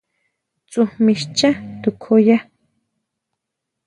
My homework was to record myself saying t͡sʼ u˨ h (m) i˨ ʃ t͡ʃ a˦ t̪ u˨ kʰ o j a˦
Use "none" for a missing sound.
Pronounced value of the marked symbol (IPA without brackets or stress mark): m